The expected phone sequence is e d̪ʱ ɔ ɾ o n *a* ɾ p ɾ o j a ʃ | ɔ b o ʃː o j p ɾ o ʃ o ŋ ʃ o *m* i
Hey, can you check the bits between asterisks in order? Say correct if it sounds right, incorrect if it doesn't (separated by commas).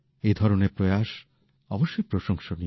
incorrect, incorrect